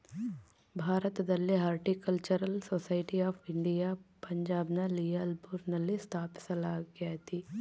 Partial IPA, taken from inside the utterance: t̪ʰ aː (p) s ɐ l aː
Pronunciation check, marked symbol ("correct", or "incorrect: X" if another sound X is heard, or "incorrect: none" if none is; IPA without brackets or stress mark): correct